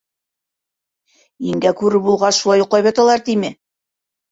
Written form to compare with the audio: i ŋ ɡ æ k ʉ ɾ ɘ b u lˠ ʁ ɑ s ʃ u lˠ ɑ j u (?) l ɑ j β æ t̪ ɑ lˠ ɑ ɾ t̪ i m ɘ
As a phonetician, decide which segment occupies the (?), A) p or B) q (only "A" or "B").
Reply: B